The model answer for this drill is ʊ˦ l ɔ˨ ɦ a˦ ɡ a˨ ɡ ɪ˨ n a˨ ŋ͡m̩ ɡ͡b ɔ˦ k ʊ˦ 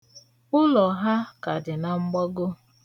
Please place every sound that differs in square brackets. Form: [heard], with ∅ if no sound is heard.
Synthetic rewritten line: ʊ˦ l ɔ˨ ɦ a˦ [k] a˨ [d] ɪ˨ n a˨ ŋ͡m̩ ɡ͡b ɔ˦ [ɡ] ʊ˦